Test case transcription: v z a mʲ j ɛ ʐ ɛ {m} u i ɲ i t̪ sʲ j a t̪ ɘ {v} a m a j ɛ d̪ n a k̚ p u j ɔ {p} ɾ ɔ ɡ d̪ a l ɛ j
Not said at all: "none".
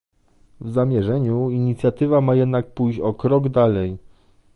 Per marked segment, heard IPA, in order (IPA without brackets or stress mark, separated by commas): ɲ, v, k